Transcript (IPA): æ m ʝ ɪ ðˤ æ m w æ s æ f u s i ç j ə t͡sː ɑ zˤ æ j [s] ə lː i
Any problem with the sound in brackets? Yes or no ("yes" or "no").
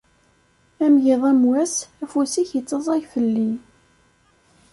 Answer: yes